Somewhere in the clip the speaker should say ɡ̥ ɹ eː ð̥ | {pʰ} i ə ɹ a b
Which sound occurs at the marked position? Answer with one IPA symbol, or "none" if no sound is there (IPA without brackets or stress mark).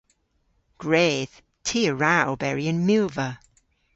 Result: tʰ